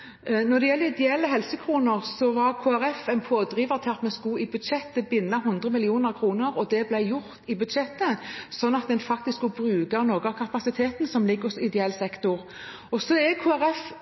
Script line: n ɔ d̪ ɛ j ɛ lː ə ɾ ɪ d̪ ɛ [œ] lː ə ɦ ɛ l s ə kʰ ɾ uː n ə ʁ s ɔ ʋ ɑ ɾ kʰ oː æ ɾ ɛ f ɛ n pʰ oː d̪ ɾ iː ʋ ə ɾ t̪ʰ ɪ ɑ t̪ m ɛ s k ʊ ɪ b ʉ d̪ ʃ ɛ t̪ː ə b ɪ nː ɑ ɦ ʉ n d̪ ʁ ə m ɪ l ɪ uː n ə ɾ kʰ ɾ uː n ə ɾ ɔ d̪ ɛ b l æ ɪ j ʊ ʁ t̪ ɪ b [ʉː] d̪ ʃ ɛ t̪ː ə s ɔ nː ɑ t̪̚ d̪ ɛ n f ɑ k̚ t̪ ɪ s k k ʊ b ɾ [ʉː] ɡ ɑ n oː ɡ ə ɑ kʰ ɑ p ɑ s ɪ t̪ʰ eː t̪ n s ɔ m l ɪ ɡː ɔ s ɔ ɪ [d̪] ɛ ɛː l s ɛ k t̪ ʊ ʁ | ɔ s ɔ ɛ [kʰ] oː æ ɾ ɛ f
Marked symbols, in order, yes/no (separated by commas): no, no, yes, yes, yes